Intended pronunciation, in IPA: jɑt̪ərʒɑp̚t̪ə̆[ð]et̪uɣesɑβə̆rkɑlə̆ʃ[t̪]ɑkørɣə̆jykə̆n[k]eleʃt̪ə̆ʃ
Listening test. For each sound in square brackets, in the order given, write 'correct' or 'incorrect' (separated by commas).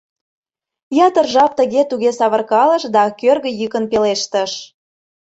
incorrect, incorrect, incorrect